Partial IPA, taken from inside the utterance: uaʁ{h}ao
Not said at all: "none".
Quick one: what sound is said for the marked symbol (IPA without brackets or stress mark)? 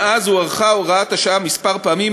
χ